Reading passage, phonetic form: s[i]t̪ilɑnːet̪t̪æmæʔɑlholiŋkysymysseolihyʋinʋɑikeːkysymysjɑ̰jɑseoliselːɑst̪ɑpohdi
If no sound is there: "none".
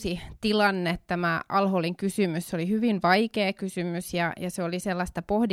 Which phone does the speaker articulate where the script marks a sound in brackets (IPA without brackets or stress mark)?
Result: i